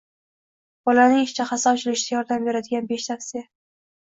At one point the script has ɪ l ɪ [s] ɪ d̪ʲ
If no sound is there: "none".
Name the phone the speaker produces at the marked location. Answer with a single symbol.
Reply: ʃ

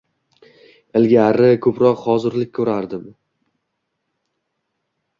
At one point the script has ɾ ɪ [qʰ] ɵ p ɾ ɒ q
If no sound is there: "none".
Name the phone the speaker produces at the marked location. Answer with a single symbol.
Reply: kʰ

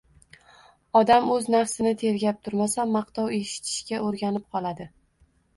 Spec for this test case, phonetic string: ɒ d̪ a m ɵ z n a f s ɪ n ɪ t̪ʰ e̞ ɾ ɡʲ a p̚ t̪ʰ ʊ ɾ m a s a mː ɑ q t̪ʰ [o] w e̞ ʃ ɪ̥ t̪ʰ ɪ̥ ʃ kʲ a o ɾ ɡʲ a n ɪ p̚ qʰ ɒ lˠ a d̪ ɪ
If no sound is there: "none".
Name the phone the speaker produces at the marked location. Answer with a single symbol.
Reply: ɒ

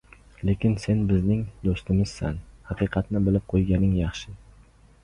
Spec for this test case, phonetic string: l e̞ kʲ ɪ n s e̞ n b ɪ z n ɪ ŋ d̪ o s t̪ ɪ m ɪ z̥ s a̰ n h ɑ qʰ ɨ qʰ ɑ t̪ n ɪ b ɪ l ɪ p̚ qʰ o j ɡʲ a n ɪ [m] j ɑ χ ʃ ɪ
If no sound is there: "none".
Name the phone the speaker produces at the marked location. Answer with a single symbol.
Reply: ŋ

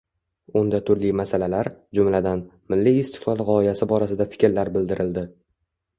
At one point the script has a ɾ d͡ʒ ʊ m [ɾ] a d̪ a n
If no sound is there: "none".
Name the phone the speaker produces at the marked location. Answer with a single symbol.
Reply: l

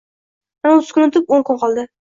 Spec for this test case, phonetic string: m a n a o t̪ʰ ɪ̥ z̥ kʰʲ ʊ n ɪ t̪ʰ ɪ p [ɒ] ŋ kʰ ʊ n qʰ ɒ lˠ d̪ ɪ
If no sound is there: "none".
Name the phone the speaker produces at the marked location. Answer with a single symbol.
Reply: o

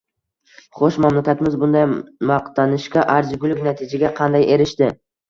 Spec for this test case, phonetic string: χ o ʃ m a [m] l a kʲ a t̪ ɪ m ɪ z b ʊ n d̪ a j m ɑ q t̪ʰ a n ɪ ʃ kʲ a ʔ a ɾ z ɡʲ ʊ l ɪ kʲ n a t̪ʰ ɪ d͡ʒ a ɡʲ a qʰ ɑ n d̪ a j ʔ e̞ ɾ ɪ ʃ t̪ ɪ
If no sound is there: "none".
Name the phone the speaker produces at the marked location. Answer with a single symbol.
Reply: m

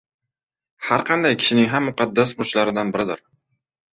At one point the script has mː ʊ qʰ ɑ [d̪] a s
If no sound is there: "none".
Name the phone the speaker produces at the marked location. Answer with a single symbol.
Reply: d̪ː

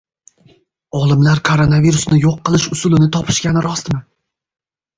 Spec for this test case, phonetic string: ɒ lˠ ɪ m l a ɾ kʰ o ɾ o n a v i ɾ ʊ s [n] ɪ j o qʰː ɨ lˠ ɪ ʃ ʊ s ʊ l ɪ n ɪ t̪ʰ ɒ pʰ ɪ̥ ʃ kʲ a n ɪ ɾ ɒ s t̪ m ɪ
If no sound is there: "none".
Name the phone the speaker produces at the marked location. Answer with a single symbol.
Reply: n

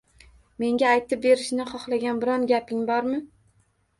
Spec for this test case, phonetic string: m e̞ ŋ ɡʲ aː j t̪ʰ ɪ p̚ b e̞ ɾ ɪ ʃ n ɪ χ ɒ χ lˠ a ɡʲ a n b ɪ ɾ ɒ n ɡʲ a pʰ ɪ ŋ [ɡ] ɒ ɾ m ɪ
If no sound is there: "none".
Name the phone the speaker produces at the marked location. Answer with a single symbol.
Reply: b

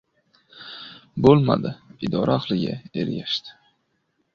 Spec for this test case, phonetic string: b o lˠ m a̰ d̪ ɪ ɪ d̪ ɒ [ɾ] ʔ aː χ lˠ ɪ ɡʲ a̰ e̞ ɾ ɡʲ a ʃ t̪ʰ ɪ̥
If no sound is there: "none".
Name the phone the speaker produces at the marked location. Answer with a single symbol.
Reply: ɾ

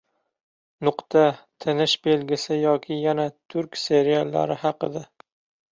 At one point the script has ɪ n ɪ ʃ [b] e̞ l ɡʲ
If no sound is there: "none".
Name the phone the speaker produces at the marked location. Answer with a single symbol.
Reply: b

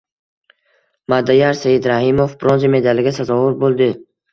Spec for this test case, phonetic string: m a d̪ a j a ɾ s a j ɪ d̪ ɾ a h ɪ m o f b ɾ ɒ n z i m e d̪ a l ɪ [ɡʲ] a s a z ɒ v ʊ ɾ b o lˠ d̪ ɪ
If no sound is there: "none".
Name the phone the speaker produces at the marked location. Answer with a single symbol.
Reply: ɡʲ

